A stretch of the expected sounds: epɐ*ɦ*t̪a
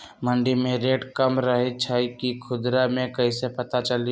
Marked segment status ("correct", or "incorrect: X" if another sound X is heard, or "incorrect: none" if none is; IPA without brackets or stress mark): incorrect: none